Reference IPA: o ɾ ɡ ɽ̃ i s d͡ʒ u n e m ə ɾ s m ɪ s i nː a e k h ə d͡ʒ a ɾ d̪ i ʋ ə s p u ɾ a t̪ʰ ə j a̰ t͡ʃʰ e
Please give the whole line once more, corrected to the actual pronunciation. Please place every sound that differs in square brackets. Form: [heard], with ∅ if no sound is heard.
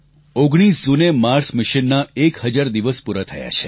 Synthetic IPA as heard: o [∅] ɡ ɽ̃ i s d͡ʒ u n e m [a] ɾ s m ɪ [ʃ] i nː a e k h ə d͡ʒ a ɾ d̪ i ʋ ə s p u ɾ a t̪ʰ ə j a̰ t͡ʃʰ e